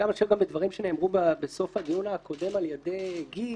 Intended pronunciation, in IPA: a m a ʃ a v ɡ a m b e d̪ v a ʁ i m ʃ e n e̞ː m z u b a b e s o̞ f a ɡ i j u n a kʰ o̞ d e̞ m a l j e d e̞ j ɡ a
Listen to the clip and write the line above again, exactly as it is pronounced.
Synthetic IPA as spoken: a m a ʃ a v ɡ a m b e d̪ v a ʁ i m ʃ e n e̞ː m ʁ u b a b e s o̞ f a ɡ i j u n a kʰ o̞ d e̞ m a l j e d e̞ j ɡ i